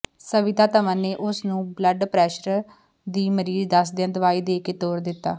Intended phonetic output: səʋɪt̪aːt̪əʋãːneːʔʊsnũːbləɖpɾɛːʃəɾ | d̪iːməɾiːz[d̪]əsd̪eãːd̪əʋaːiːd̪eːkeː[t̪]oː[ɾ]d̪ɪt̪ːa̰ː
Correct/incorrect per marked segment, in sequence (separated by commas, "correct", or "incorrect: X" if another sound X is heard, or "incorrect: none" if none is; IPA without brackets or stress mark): correct, correct, correct